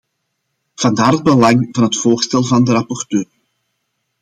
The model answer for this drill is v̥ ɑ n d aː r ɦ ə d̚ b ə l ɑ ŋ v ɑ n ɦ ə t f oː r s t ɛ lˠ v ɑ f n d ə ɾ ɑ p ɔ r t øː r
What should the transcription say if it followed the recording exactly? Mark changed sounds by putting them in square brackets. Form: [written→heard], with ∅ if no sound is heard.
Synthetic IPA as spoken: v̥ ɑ n d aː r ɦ ə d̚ b ə l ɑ ŋ v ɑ n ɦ ə t f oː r s t ɛ lˠ v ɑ [f→∅] n d ə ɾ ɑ p ɔ r t øː r